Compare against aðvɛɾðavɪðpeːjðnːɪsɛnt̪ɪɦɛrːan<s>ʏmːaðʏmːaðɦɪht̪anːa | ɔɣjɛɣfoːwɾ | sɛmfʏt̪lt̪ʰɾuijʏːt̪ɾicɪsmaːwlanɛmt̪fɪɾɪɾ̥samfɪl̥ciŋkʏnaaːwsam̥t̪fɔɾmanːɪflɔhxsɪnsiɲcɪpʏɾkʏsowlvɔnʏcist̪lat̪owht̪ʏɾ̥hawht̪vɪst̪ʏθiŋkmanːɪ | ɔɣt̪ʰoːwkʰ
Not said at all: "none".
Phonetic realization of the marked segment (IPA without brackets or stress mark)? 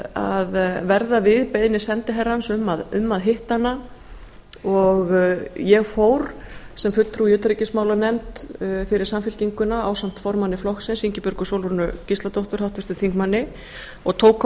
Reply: s